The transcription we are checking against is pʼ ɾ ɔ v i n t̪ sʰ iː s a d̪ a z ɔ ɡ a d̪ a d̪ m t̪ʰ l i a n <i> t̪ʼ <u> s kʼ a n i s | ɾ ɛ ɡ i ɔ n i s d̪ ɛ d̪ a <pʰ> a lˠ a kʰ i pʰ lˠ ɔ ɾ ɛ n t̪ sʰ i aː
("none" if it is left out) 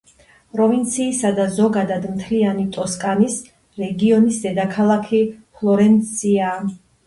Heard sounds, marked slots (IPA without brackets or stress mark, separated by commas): i, ɔ, kʰ